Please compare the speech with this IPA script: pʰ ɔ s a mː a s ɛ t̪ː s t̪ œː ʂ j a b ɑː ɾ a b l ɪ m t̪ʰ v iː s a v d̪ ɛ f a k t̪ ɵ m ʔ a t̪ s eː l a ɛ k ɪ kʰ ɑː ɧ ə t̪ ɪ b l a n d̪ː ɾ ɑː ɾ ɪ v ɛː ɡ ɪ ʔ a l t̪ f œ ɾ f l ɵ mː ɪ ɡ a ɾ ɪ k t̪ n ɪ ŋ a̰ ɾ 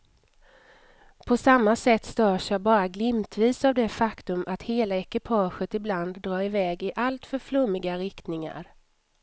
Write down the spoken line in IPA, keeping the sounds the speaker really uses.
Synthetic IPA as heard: pʰ ɔ s a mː a s ɛ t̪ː s t̪ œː ʂ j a b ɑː ɾ a ɡ l ɪ m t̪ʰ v iː s a v d̪ ɛ f a k t̪ ɵ m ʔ a t̪ h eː l a ɛ k ɪ pʰ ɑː ɧ ə t̪ ɪ b l a n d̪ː ɾ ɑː ɾ ɪ v ɛː ɡ ɪ ʔ a l t̪ f œ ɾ f l ɵ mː ɪ ɡ a ɾ ɪ k t̪ n ɪ ŋ a̰ ɾ